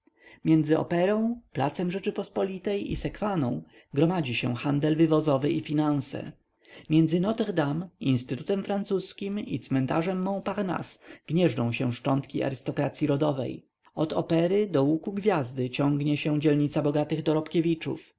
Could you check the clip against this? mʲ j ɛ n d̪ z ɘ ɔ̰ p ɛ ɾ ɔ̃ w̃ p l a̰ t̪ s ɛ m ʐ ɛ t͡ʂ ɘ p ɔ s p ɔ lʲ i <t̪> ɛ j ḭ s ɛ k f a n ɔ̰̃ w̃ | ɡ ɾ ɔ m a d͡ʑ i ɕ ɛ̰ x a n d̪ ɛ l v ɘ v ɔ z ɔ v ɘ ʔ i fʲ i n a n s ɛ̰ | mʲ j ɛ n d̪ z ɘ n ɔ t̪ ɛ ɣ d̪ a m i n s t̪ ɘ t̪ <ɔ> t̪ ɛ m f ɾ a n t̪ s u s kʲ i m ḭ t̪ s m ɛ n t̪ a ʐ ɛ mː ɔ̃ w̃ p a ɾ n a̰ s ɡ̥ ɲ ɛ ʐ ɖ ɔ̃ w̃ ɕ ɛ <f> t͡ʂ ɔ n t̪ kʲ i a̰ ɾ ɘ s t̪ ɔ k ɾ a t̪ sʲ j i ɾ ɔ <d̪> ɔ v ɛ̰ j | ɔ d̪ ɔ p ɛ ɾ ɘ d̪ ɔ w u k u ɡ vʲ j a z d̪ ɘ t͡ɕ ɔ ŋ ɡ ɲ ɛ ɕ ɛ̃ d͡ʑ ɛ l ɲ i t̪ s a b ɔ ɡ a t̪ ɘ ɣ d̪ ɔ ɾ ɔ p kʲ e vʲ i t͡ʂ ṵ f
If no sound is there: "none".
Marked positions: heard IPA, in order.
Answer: t̪, u, ʂ, d̪

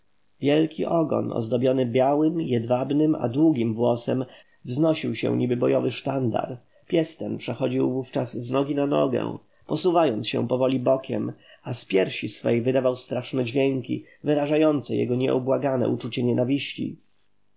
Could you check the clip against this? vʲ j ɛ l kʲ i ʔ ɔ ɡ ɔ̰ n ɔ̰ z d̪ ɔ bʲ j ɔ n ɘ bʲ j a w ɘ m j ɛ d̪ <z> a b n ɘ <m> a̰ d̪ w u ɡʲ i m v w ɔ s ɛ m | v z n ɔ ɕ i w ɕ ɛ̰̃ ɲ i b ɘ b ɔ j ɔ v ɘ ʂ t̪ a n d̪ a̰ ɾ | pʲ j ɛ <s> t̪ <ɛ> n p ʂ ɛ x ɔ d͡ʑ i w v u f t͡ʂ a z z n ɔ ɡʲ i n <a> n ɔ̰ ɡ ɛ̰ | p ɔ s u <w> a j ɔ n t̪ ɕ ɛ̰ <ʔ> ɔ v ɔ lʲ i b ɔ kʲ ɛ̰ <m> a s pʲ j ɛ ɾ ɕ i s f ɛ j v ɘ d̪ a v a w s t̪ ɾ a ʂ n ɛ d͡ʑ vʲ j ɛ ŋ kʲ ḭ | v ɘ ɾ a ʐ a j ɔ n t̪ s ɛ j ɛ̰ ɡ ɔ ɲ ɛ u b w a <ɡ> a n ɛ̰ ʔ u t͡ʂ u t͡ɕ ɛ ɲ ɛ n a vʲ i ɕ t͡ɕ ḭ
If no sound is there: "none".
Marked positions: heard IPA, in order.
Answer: v, m, s, ɛ, a, v, p, m, ɡ

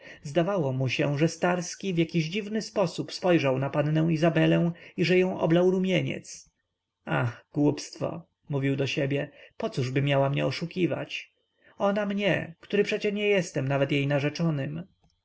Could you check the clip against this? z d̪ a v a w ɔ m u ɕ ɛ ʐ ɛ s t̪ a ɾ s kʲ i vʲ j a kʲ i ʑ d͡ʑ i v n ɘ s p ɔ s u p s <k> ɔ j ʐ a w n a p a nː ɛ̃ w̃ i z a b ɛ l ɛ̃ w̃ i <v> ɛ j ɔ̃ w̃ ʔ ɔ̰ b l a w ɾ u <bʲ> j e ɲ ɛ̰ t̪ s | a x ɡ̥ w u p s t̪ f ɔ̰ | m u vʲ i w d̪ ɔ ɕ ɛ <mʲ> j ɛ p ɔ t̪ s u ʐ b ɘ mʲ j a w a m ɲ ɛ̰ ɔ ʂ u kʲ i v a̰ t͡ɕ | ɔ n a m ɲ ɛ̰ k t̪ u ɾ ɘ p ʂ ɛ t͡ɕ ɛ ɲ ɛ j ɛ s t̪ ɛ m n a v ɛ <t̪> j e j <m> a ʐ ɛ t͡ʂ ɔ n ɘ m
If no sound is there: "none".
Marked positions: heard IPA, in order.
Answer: p, ʐ, mʲ, bʲ, t̪, n

